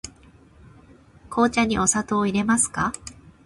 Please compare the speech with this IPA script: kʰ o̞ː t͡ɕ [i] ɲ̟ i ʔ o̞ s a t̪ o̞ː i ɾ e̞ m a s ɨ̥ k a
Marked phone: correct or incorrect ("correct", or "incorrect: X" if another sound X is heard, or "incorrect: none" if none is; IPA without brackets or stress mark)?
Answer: incorrect: a